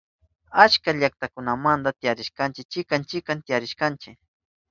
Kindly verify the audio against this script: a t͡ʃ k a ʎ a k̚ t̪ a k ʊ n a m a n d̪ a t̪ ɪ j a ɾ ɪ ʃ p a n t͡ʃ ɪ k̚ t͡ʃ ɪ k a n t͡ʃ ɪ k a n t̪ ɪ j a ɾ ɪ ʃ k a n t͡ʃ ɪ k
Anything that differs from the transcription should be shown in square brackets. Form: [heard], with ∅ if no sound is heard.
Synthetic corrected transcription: a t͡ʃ k a ʎ a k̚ t̪ a k ʊ n a m a n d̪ a t̪ ɪ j a ɾ ɪ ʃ [k] a n t͡ʃ ɪ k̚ t͡ʃ ɪ k a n t͡ʃ ɪ k a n t̪ ɪ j a ɾ ɪ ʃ k a n t͡ʃ ɪ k

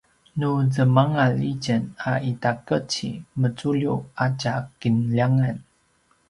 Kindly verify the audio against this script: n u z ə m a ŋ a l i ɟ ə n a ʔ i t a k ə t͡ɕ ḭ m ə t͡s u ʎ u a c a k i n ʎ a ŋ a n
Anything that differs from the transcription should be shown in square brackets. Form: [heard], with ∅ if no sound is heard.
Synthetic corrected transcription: n u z ə m a ŋ a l i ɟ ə n a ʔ i t a k ə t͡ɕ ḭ m ə t͡s u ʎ u a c a k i n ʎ a ŋ a n

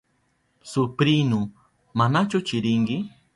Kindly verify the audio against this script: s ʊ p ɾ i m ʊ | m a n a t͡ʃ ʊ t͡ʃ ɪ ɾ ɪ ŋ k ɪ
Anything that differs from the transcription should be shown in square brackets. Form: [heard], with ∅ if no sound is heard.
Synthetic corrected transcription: s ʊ p ɾ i [n] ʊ | m a n a t͡ʃ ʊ t͡ʃ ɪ ɾ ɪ ŋ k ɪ

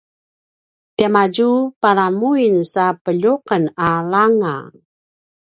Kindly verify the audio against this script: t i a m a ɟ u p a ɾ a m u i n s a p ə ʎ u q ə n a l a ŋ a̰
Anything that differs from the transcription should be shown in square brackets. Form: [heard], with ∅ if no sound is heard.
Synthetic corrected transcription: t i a m a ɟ u p a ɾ a m u i n s a p ə ʎ u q ə n a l a ŋ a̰

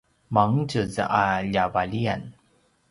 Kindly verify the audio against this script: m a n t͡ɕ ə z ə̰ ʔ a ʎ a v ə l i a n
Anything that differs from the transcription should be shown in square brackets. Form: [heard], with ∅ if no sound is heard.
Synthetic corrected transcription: m a [ŋ] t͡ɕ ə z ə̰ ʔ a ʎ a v [a] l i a n

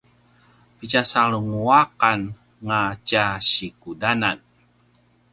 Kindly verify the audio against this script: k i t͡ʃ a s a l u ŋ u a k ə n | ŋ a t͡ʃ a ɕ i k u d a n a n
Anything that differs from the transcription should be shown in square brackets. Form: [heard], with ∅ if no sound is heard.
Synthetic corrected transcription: [p] i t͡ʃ a s a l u ŋ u a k [a] n | ŋ a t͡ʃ a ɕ i k u d a n a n

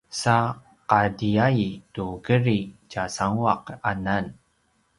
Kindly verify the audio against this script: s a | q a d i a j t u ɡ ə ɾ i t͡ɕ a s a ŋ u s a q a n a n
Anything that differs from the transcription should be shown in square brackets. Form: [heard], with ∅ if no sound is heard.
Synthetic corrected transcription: s a | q a d i a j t u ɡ ə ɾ i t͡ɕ a s a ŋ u [∅] a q a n a n

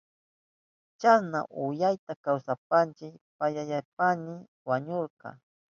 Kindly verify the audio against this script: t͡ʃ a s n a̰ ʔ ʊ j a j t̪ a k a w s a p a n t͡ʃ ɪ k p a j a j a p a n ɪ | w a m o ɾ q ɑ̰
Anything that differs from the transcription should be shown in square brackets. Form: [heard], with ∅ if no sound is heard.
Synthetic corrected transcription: t͡ʃ a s n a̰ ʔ ʊ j a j t̪ a k a w s a p a n t͡ʃ ɪ k p a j a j a p a n ɪ | w a [ɲ] o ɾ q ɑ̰

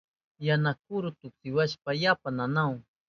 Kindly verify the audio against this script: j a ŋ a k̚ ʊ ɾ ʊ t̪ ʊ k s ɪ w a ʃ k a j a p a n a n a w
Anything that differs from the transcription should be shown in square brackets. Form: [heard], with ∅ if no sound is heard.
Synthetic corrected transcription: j a [n] a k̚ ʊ ɾ ʊ t̪ ʊ k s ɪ w a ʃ [p] a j a p a n a n a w

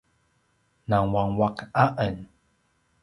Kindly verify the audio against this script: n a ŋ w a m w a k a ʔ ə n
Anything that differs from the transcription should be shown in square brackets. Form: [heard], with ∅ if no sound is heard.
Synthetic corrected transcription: n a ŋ w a [ŋ] w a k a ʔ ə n

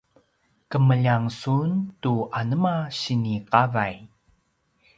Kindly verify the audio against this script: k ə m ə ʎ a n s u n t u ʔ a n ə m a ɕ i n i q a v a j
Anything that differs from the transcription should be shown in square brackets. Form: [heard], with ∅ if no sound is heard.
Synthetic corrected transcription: k ə m ə ʎ a [ŋ] s u n t u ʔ a n ə m a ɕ i n i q a v a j

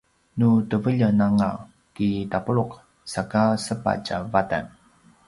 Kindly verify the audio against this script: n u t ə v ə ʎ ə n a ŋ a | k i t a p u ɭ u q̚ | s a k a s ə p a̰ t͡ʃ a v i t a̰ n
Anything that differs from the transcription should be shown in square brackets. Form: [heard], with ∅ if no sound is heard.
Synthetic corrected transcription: n u t ə v ə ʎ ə n a ŋ a | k i t a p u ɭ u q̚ | s a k a s ə p a̰ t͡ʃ a v [a] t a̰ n

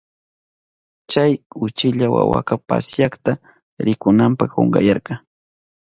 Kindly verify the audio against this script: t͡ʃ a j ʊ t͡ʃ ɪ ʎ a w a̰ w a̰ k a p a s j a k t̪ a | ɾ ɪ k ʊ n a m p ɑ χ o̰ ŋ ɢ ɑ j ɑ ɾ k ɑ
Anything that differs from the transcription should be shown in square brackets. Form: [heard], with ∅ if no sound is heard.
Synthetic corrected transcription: t͡ʃ a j ʊ t͡ʃ ɪ ʎ a w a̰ w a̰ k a p a s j a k t̪ a | ɾ ɪ k ʊ n a m p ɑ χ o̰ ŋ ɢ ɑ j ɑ ɾ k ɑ

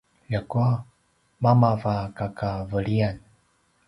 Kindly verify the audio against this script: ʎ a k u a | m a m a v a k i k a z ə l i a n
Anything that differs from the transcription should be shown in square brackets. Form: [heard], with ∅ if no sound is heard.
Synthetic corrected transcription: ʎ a k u a | m a m a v a k [a] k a [v] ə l i a n

